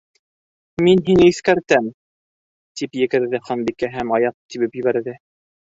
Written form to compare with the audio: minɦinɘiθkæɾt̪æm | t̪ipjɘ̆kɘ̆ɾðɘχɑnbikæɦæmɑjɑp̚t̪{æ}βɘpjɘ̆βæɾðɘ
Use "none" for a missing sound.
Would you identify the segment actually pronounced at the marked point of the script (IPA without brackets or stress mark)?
i